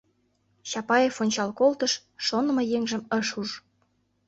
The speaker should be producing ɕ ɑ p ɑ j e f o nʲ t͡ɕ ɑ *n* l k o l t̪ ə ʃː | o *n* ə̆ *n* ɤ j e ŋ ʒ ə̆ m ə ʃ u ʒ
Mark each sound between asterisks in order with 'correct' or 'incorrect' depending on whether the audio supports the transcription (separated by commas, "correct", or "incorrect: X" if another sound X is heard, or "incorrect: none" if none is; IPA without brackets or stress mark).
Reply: incorrect: none, correct, incorrect: m